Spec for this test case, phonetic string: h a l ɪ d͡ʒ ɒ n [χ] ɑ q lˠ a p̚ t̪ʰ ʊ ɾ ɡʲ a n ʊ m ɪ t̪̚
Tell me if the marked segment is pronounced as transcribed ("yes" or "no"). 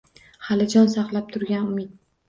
no